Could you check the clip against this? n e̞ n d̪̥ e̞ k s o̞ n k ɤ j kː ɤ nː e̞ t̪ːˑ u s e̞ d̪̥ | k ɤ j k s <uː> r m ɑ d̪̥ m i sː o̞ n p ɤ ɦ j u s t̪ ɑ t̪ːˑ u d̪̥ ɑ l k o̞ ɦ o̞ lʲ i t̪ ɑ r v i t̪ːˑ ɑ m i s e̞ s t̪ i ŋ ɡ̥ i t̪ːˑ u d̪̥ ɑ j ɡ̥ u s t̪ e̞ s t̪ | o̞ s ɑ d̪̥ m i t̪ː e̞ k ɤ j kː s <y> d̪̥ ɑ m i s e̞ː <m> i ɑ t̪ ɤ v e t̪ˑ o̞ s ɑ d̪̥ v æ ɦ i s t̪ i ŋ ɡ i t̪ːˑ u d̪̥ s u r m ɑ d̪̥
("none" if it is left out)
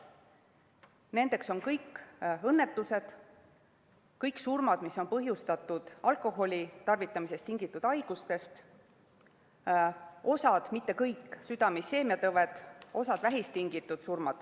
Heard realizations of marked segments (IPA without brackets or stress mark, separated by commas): u, y, m